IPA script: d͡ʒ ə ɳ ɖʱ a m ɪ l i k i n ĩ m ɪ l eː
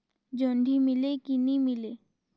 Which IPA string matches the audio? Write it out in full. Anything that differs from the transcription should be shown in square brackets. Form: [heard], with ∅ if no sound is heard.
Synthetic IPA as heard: d͡ʒ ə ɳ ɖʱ [i] m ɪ l [e] k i n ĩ m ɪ l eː